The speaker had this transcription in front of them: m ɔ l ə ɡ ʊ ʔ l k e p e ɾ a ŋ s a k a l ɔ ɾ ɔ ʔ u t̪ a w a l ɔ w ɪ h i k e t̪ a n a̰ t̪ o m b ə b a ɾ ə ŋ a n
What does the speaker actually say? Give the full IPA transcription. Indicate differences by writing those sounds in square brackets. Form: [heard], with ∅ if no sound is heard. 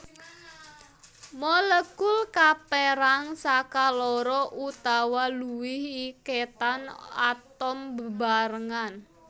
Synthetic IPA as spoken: m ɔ l ə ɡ ʊ [∅] l k [a] p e ɾ a ŋ s a k a l ɔ ɾ ɔ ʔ u t̪ a w a l [u] w ɪ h i k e t̪ a n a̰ t̪ [ɔ] m b ə b a ɾ ə ŋ a n